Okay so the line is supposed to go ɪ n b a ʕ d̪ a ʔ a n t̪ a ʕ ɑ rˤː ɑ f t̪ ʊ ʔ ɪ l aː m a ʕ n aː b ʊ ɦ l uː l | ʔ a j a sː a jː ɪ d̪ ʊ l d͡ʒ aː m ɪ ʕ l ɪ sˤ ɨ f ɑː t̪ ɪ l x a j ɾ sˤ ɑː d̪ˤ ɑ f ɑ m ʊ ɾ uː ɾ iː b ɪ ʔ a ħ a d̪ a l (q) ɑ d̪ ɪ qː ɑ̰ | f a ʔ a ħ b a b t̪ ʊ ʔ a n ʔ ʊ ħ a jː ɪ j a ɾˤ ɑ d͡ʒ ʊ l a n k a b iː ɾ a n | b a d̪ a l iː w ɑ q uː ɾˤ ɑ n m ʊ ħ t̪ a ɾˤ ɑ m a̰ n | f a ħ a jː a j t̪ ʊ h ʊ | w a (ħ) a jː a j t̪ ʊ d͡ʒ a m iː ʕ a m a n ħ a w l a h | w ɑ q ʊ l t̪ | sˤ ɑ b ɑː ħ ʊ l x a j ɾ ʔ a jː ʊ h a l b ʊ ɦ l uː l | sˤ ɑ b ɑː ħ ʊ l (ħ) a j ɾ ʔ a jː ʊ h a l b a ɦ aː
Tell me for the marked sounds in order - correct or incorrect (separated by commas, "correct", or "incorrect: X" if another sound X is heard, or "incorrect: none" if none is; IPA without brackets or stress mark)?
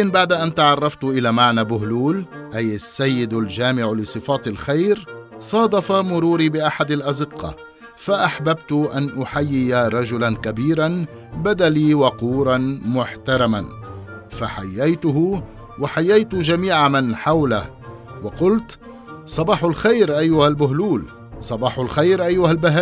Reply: incorrect: ʔ, correct, incorrect: x